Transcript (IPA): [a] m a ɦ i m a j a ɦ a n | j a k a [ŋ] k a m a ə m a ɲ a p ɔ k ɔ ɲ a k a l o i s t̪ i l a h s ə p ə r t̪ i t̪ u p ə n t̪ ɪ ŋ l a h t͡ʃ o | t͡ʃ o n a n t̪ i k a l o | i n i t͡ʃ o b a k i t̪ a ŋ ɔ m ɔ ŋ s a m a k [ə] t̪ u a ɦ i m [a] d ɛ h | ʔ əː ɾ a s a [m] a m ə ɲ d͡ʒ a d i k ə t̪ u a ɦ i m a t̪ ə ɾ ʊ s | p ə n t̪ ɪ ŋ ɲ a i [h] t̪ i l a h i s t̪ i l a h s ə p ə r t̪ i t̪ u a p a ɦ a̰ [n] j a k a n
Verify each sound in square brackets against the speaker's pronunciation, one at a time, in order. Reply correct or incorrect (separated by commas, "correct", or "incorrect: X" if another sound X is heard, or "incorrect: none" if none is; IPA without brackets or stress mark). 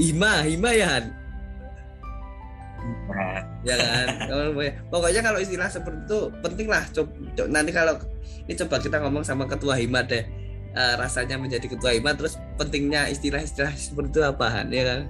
incorrect: i, incorrect: n, correct, correct, incorrect: ɲ, incorrect: s, correct